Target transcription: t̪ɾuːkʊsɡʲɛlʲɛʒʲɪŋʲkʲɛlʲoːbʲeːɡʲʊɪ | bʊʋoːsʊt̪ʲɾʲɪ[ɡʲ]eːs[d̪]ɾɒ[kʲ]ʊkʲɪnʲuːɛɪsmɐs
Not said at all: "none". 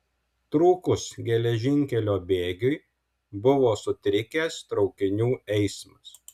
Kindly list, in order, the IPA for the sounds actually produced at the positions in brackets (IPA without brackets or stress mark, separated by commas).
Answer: kʲ, t̪, none